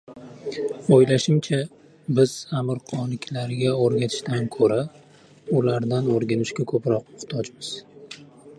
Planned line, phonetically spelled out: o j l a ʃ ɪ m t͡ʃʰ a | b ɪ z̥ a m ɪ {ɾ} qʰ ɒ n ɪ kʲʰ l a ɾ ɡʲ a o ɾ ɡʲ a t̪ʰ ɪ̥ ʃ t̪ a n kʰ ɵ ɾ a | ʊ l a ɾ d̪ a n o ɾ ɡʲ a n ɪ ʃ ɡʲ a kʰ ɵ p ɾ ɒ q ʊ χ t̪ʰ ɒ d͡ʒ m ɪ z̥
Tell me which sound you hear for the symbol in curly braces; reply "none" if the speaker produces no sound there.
ɾ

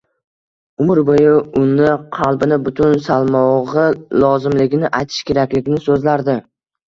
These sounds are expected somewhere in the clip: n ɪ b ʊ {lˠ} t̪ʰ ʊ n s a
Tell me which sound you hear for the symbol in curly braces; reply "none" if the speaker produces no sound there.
none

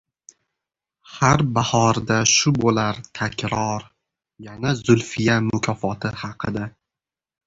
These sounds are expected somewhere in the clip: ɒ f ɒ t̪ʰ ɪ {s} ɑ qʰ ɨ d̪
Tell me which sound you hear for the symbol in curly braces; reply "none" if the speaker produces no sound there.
h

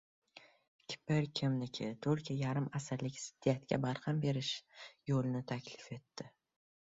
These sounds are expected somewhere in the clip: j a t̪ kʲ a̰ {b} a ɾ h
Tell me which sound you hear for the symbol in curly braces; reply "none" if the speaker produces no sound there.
b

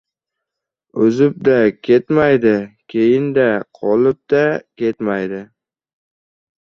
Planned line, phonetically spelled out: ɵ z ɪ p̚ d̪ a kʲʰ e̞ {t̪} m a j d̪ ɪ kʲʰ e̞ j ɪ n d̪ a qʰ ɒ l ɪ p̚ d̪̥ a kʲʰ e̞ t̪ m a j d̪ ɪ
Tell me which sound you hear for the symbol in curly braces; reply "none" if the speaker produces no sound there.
t̪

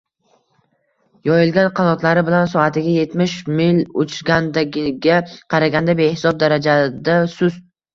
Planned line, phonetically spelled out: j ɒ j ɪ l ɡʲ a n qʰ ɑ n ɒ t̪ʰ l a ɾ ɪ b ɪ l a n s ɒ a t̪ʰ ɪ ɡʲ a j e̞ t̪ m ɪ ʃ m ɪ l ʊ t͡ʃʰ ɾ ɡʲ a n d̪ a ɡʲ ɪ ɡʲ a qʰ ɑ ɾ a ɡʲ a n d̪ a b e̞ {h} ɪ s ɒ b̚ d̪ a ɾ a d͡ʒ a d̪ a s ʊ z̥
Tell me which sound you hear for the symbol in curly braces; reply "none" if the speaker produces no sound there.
h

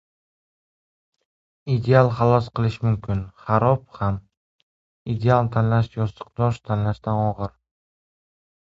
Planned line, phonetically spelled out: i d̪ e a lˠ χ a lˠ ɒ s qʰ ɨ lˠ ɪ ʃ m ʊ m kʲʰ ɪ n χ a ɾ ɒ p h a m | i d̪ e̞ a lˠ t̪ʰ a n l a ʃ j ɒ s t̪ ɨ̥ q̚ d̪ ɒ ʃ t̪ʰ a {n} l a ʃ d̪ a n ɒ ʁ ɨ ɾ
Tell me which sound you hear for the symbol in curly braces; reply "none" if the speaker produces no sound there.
n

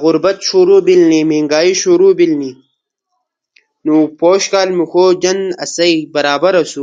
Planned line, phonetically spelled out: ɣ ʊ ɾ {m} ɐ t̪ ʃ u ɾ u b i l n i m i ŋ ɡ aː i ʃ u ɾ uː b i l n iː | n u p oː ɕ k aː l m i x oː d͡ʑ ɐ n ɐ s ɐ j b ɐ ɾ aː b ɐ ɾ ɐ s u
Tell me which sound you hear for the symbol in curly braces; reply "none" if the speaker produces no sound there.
b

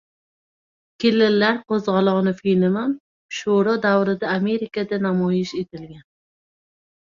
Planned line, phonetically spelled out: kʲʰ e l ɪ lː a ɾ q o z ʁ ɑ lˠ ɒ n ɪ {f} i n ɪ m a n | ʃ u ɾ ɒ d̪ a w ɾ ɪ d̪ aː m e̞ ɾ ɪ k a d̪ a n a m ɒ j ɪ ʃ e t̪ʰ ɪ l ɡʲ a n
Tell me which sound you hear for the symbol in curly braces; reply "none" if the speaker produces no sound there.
f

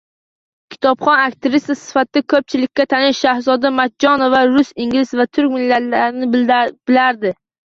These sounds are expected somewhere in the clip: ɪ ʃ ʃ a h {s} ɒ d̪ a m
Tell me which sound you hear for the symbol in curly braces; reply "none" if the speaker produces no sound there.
z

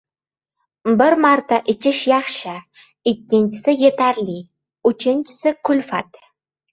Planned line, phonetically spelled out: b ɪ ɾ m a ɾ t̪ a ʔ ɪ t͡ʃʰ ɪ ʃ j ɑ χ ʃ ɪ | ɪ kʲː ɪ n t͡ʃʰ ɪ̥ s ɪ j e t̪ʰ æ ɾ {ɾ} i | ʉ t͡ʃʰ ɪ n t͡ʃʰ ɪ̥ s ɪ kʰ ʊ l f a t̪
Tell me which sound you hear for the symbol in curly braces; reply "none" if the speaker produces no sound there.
l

